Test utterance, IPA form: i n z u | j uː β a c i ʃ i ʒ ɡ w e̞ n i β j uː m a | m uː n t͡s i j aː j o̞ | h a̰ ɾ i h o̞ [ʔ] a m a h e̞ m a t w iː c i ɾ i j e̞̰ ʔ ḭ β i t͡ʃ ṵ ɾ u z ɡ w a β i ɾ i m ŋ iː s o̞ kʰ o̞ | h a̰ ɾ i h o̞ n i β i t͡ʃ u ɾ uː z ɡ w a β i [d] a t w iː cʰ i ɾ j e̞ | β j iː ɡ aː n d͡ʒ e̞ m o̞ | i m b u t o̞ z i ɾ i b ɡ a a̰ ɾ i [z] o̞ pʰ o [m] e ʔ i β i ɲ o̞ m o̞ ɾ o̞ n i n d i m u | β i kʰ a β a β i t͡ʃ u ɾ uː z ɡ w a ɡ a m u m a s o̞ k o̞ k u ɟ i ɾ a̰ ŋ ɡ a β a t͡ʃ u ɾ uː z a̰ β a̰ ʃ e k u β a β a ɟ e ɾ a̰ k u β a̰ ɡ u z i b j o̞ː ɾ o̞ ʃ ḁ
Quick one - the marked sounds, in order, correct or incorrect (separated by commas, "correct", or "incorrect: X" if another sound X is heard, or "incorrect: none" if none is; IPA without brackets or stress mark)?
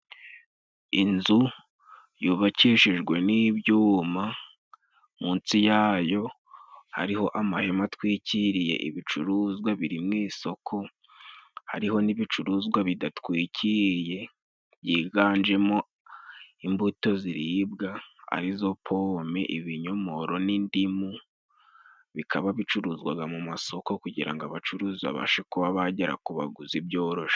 correct, correct, correct, correct